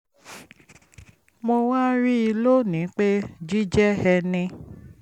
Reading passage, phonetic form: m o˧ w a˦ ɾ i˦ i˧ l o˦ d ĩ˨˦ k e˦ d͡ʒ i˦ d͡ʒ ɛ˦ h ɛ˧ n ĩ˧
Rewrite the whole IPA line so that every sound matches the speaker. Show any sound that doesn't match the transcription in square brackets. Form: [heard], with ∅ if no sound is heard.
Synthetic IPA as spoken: m o˧ w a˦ ɾ i˦ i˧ l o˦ [n] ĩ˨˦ [k͡p] e˦ d͡ʒ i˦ d͡ʒ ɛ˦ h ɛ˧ n ĩ˧